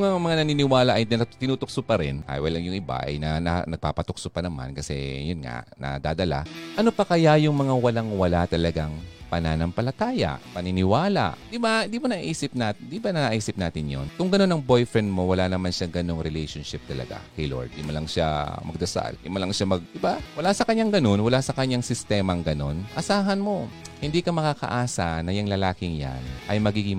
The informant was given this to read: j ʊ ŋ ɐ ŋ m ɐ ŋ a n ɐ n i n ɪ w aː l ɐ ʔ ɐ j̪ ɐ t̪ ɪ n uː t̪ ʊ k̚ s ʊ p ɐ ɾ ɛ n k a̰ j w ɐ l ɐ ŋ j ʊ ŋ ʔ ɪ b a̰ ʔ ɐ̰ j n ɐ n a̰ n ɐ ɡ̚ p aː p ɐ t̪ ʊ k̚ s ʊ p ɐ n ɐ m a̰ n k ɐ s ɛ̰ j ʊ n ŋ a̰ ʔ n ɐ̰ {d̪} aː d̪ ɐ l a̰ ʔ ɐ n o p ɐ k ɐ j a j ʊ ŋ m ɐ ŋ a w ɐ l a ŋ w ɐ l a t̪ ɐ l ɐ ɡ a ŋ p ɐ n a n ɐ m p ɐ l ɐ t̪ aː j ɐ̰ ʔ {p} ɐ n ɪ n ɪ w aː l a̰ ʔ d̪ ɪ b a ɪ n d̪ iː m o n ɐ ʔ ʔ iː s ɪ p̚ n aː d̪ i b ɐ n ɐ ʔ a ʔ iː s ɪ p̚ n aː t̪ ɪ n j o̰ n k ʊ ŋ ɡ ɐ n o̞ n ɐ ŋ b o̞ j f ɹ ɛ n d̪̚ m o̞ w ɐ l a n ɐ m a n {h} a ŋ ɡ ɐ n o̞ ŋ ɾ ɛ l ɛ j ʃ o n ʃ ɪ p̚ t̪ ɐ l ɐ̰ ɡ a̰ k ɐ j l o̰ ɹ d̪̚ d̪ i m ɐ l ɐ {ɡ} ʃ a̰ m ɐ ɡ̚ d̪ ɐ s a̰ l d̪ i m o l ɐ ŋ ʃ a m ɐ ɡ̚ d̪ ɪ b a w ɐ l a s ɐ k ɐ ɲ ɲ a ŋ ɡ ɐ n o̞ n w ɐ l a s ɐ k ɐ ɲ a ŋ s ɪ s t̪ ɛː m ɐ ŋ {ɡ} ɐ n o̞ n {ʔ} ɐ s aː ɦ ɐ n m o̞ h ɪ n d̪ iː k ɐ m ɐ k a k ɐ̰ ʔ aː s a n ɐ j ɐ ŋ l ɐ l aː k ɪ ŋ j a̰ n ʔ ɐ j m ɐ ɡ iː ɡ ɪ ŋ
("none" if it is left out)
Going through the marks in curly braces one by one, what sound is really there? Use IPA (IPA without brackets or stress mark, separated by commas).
d̪, p, ʃ, ŋ, ɡ, ʔ